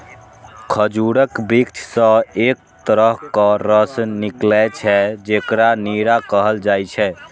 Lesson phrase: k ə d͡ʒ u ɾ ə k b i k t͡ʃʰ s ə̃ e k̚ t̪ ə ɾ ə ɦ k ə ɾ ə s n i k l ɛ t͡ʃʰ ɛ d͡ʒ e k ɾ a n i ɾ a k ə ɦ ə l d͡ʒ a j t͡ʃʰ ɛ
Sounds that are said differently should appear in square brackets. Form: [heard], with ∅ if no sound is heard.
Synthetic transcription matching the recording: [kʰ] ə d͡ʒ u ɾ ə k b i k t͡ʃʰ s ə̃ e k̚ t̪ ə ɾ ə ɦ k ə ɾ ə s n i k l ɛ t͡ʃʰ ɛ d͡ʒ e k ɾ a n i ɾ a k ə ɦ ə l d͡ʒ a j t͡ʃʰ ɛ

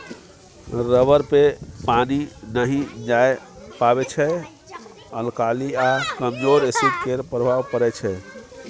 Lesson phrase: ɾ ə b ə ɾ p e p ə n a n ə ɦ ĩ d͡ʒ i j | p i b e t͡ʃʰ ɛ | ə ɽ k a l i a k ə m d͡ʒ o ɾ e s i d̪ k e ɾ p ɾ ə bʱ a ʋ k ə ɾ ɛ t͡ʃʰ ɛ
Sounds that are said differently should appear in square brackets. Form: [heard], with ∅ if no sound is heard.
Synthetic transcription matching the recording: ɾ ə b ə ɾ p e p [a] n [i] n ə ɦ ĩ d͡ʒ [a] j | p [a] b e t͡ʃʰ ɛ | ə [l] k a l i a k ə m d͡ʒ o ɾ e s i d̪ k e ɾ p ɾ ə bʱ a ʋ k ə ɾ ɛ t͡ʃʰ ɛ

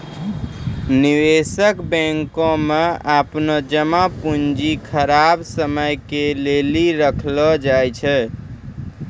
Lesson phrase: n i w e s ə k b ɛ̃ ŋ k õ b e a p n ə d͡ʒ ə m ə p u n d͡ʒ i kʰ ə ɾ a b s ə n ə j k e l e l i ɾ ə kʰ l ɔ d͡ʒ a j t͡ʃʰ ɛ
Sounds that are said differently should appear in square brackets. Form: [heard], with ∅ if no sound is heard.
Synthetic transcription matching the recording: n i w e s ə k b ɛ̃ ŋ k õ [m] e a p n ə d͡ʒ ə m [a] p u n d͡ʒ i kʰ ə ɾ a b s ə [m] ə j k e l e l i ɾ ə kʰ l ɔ d͡ʒ a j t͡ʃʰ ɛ

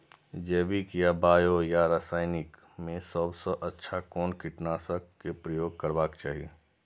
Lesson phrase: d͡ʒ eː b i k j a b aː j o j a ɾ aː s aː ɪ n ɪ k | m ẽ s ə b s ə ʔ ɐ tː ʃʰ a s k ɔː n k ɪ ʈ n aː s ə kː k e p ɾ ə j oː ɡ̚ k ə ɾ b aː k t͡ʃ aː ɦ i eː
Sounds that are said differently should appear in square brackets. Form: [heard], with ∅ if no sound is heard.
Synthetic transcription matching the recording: d͡ʒ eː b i k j a b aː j o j a ɾ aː s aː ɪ n ɪ k | m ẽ s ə b s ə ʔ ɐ tː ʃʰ a [∅] k ɔː n k ɪ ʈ n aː s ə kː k e p ɾ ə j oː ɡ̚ k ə ɾ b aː k t͡ʃ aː ɦ i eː

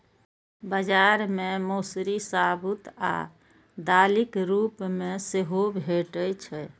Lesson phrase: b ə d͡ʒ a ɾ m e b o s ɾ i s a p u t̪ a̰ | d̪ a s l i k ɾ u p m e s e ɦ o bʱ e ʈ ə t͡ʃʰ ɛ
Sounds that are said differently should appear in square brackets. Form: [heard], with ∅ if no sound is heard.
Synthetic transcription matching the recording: b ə d͡ʒ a ɾ m e [m] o s ɾ i s a [b] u t̪ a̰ | d̪ a [∅] l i k ɾ u p m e s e ɦ o bʱ e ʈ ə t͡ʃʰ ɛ

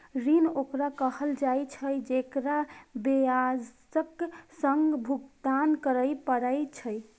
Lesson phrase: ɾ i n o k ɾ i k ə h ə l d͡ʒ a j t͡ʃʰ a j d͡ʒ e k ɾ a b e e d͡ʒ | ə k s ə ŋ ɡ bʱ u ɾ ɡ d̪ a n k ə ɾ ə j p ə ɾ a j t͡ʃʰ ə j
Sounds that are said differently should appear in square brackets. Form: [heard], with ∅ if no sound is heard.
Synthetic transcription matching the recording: ɾ i n o k ɾ [a] k ə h ə l d͡ʒ a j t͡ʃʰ [ə] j d͡ʒ e k ɾ a b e [a] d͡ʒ | ə k s ə ŋ ɡ bʱ u [∅] ɡ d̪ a n k ə ɾ ə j p ə ɾ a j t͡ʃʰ ə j

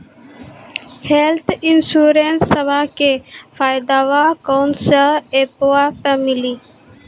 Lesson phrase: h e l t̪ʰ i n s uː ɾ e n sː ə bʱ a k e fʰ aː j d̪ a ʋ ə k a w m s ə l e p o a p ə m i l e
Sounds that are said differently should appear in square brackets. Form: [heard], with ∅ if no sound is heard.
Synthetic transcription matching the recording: h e l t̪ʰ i n s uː ɾ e n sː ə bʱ a k e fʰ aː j d̪ a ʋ [a] k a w [n] s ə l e p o a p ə m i l [i]

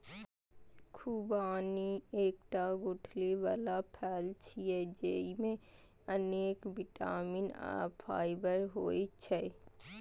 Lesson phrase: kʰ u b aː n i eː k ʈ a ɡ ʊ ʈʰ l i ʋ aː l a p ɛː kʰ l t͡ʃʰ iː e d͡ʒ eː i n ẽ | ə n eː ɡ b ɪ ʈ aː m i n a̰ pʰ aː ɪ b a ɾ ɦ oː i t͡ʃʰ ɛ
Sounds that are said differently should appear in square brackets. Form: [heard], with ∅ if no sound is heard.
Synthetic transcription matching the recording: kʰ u b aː n i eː k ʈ a ɡ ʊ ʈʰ l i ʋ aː l a [pʰ] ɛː [∅] l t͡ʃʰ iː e d͡ʒ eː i [m] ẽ | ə n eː [k] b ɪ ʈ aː m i n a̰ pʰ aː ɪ b [ə] ɾ ɦ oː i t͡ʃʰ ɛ

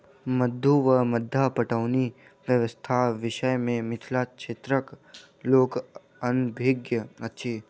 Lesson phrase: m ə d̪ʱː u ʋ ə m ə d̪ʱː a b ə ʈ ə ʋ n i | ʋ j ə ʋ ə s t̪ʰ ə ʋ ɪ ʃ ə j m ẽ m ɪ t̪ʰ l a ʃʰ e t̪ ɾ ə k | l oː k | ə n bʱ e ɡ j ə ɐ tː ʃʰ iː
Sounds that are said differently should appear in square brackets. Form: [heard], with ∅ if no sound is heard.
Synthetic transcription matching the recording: m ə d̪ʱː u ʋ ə m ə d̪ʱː a [p] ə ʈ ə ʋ n i | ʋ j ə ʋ ə s t̪ʰ [a] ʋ ɪ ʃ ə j m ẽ m ɪ t̪ʰ l a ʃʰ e t̪ ɾ ə k | l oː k | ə n bʱ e ɡ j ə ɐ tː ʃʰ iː

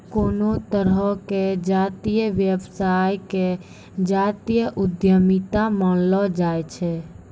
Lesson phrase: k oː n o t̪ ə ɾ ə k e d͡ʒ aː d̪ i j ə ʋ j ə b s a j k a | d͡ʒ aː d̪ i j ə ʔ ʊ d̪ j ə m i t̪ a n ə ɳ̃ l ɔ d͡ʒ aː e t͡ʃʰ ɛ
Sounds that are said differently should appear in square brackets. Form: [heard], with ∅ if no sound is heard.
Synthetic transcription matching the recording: k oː n o t̪ ə ɾ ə k e d͡ʒ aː [t̪] i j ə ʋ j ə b s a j k [e] | d͡ʒ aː [t̪] i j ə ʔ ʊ d̪ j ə m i t̪ a [m] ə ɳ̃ l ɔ d͡ʒ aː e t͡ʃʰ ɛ

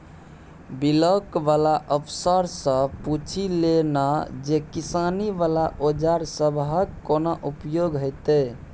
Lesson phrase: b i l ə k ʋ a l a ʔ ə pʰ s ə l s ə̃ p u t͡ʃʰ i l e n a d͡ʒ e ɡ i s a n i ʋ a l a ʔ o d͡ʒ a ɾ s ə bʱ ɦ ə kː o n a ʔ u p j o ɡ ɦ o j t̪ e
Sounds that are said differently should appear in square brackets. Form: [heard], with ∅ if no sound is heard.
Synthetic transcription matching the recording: b i l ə k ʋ a l a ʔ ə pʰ s ə [ɾ] s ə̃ p u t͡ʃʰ i l e n a d͡ʒ e [k] i s a n i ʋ a l a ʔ o d͡ʒ a ɾ s ə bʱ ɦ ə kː o n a ʔ u p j o ɡ ɦ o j t̪ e

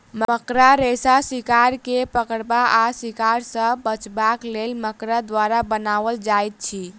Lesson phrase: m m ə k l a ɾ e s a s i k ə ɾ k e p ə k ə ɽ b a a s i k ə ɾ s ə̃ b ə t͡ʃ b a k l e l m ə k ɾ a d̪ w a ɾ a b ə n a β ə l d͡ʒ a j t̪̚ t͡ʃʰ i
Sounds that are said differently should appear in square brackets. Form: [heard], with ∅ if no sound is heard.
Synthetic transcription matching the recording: m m ə k [ɾ] a ɾ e s a s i k [a] ɾ k e p ə k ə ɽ b a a s i k [a] ɾ s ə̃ b ə t͡ʃ b a k l e l m ə k ɾ a d̪ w a ɾ a b ə n a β ə l d͡ʒ a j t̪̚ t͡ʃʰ i

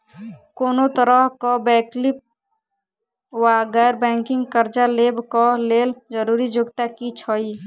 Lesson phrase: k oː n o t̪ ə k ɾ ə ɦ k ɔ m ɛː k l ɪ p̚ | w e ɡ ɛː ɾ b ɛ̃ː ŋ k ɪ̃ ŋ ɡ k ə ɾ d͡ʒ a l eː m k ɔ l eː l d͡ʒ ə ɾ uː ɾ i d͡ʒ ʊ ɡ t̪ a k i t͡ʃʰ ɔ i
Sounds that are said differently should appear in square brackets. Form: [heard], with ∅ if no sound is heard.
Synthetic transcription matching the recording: k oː n o t̪ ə [∅] ɾ ə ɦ k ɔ [b] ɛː k l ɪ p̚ | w [a] ɡ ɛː ɾ b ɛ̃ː ŋ k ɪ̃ ŋ ɡ k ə ɾ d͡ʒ a l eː [b] k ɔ l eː l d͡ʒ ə ɾ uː ɾ i d͡ʒ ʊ ɡ t̪ a k i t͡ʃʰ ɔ i

